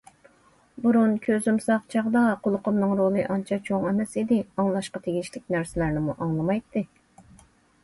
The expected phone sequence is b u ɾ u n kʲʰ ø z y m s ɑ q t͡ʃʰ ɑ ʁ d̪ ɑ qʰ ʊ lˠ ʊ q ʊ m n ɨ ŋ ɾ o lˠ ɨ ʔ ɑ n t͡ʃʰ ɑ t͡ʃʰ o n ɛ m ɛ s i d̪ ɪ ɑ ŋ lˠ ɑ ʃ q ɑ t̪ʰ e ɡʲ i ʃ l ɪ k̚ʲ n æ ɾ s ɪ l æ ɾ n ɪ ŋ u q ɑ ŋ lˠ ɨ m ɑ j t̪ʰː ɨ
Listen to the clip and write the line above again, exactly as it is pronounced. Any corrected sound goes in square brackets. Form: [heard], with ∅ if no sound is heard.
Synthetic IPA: b u ɾ u n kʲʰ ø z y m s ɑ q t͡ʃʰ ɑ ʁ d̪ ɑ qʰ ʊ lˠ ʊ q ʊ m n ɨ ŋ ɾ o lˠ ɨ ʔ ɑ n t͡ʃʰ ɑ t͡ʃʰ o [ŋ] ɛ m ɛ s i d̪ ɪ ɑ ŋ lˠ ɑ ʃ q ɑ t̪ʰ e ɡʲ i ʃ l ɪ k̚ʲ n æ ɾ s ɪ l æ ɾ n ɪ [m] u [ʔ] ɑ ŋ lˠ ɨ m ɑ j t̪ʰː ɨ